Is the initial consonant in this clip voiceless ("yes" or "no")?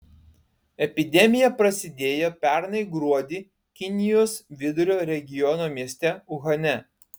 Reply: yes